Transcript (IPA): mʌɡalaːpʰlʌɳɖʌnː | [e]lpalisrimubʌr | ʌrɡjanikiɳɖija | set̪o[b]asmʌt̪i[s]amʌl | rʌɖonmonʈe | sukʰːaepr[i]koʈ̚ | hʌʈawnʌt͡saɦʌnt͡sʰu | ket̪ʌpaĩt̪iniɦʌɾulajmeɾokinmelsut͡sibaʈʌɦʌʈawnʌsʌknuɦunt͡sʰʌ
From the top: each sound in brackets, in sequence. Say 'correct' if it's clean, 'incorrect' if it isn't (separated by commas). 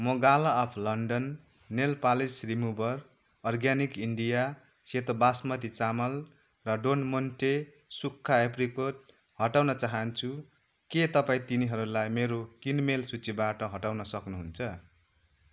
correct, correct, incorrect, correct